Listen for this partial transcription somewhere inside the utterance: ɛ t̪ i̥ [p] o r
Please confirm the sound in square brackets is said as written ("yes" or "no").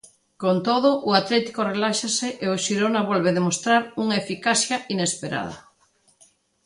no